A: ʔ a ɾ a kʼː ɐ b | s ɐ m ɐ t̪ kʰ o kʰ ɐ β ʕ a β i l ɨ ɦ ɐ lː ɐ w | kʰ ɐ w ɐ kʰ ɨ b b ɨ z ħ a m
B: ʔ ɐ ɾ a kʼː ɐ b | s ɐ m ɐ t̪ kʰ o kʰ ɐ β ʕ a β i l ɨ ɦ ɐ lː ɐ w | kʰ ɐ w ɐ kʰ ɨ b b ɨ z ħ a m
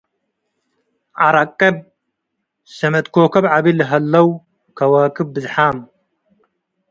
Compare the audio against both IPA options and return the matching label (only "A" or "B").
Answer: A